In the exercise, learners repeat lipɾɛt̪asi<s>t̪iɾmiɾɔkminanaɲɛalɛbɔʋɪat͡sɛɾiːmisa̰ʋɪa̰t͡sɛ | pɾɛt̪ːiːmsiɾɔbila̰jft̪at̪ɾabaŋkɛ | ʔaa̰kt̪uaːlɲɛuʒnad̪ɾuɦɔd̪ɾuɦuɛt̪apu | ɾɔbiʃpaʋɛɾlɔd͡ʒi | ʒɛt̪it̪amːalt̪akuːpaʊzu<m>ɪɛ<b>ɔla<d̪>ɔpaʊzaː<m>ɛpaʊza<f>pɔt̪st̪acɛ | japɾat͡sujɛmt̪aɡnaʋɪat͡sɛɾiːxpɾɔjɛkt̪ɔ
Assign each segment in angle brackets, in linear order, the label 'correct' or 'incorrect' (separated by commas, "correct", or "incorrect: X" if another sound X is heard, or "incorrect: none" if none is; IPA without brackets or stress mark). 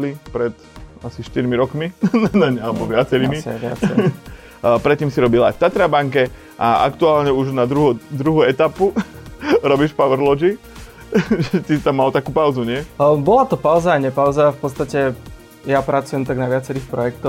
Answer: incorrect: ʃ, incorrect: ɲ, correct, incorrect: t̪, incorrect: ɲ, correct